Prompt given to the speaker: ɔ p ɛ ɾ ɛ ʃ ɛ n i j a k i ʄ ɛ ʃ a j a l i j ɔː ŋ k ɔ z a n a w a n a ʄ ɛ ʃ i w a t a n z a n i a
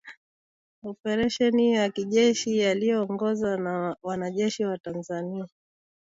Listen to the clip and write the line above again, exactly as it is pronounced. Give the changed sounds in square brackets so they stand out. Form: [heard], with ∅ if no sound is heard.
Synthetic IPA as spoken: ɔ p ɛ ɾ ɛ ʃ ɛ n i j a k i ʄ ɛ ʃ [i] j a l i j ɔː ŋ [ɡ] ɔ z a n a w a n a ʄ ɛ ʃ i w a t a n z a n i a

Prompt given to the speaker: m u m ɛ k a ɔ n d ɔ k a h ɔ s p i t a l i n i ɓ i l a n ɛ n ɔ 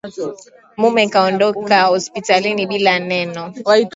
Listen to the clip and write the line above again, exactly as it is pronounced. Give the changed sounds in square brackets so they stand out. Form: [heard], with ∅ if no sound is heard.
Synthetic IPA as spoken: m u m ɛ k a ɔ n d ɔ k a h ɔ s p i t a l i n i ɓ i l a n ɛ n ɔ

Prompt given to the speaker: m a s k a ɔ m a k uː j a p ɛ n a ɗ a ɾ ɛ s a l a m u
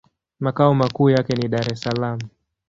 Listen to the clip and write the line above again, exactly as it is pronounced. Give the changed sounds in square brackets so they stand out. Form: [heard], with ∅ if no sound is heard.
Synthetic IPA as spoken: m a [∅] k a ɔ m a k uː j a [k] ɛ n [i] ɗ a ɾ ɛ s a l a m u

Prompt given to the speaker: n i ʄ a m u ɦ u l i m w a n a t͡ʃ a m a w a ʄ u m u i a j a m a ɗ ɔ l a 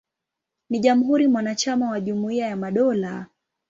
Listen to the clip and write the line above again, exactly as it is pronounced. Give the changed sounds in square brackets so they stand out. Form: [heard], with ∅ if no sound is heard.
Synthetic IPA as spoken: n i ʄ a m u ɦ u [ɾ] i m w a n a t͡ʃ a m a w a ʄ u m u i a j a m a ɗ ɔ l a

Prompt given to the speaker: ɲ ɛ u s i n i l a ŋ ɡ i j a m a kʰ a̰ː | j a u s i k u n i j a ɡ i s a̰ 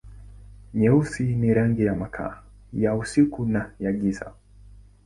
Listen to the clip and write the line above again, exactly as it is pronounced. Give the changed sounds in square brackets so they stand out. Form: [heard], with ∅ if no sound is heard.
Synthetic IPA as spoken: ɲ ɛ u s i n i [ɾ] a ŋ ɡ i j a m a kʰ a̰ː | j a u s i k u n [a] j a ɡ i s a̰

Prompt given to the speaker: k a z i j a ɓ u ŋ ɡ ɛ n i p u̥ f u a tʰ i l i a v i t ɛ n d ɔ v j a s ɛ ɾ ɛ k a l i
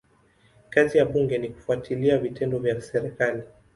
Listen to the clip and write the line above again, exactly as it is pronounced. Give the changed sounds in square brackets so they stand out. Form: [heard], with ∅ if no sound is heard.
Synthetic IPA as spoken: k a z i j a ɓ u ŋ ɡ ɛ n i [k] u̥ f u a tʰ i l i a v i t ɛ n d ɔ v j a s ɛ ɾ ɛ k a l i

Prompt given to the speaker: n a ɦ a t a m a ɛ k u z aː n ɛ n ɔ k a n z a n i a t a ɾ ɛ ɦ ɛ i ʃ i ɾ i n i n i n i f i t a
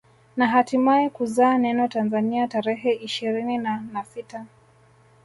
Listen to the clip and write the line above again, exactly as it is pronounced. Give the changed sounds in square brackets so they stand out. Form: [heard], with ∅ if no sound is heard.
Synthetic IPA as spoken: n a ɦ a t [i] m a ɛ k u z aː n ɛ n ɔ [t] a n z a n i a t a ɾ ɛ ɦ ɛ i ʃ i ɾ i n i n [a] n [a] f i t a

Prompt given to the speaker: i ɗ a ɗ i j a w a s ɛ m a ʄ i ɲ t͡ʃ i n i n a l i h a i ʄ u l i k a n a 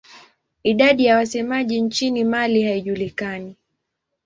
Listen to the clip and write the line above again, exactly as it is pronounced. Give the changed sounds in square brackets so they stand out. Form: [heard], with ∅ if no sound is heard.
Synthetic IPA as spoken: i ɗ a ɗ i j a w a s ɛ m a ʄ i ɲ t͡ʃ i n i [m] a l i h a i ʄ u l i k a n [i]

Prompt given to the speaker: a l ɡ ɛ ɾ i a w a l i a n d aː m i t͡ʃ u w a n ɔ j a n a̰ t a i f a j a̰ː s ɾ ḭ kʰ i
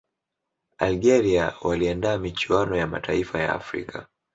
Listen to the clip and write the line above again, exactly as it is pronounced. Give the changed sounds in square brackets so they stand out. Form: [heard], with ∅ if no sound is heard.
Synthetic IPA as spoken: a l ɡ ɛ ɾ i a w a l i a n d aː m i t͡ʃ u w a n ɔ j a [m] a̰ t a i f a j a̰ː [f] ɾ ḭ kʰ [a]

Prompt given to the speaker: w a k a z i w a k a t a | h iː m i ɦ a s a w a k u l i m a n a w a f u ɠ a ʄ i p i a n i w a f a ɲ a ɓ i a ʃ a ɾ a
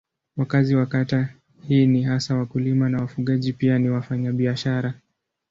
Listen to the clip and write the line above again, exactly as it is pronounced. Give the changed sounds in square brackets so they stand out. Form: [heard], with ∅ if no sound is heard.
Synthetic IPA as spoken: w a k a z i w a k a t a | h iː [n] i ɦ a s a w a k u l i m a n a w a f u ɠ a ʄ i p i a n i w a f a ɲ a ɓ i a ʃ a ɾ a

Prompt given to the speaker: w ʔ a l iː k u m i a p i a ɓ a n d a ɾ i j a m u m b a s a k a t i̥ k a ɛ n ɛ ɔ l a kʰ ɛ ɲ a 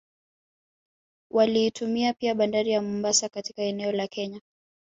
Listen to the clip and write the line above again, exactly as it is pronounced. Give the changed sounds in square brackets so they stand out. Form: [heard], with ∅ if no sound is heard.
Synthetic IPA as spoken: w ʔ a l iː [t] u m i a p i a ɓ a n d a ɾ i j a m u m b a s a k a t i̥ k a ɛ n ɛ ɔ l a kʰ ɛ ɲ a

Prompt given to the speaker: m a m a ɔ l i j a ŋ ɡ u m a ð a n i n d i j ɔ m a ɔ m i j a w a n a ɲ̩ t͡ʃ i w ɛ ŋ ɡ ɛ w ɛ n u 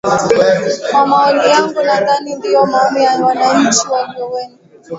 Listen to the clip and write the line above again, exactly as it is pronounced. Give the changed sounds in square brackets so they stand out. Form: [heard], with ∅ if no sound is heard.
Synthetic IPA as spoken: m a m a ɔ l i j a ŋ ɡ u [n] a ð a n i n d i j ɔ m a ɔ m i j a w a n a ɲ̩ t͡ʃ i w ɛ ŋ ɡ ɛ w ɛ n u

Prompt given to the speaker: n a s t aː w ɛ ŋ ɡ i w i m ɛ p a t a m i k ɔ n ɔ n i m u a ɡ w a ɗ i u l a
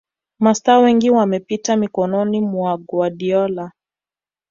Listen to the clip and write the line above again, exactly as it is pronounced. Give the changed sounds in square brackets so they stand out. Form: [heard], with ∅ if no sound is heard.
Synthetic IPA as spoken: [m] a s t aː w ɛ ŋ ɡ i w [a] m ɛ p [i] t a m i k ɔ n ɔ n i m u a ɡ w a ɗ i [ɔ] l a

